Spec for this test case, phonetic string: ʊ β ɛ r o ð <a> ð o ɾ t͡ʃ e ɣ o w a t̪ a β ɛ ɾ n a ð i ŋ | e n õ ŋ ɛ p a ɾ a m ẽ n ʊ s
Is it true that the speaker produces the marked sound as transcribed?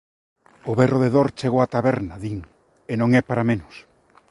no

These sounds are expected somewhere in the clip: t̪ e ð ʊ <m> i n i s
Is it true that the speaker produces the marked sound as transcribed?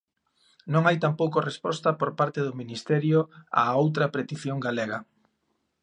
yes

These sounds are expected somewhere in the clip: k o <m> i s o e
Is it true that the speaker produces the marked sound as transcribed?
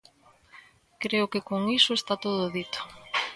no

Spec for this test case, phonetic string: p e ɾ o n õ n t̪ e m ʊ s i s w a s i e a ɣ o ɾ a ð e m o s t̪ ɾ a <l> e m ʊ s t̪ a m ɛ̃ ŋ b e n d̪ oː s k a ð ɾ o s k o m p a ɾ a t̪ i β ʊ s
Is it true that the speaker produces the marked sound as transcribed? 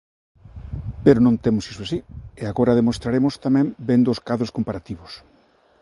no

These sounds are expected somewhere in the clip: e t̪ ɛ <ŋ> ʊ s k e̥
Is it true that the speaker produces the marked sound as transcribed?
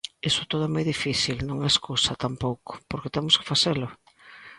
no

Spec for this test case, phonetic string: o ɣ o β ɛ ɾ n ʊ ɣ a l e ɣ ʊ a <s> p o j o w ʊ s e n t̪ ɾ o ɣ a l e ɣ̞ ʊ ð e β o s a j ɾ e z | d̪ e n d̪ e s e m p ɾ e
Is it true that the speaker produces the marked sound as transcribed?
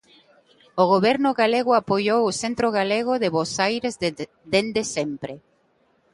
no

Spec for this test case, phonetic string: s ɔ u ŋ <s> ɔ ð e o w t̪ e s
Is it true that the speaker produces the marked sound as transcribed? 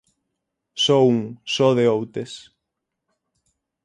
yes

